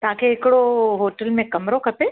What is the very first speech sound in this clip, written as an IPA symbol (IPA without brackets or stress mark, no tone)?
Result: t̪